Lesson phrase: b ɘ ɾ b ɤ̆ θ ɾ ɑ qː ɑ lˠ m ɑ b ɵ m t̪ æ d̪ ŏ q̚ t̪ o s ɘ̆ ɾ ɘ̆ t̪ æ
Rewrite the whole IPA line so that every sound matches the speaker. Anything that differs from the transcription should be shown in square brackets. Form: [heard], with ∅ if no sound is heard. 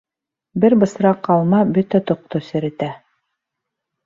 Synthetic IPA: b ɘ ɾ b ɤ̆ [s] ɾ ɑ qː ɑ lˠ m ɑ b ɵ [∅] t̪ æ [t̪] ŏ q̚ t̪ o s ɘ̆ ɾ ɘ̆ t̪ æ